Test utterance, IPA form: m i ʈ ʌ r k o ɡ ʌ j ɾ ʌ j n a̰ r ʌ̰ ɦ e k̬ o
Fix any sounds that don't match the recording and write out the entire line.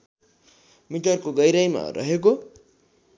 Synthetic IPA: m i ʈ ʌ r k o ɡ ʌ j ɾ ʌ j m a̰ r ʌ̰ ɦ e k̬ o